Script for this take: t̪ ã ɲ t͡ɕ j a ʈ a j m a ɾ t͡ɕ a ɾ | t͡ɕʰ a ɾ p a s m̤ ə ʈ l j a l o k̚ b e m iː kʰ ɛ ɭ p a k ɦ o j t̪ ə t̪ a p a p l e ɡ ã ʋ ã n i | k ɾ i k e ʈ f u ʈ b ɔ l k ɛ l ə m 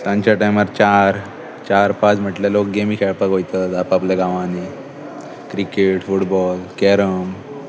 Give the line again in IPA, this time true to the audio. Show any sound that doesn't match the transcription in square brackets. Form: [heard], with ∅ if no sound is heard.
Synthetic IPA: t̪ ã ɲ t͡ɕ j a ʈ a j m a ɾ t͡ɕ a ɾ | [t͡ɕ] a ɾ p a [t͡s] m̤ ə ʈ l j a l o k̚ [ɡ] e m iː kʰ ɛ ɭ p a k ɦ o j t̪ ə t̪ a p a p l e ɡ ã ʋ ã n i | k ɾ i k e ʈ f u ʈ b ɔ l k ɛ [ɾ] ə m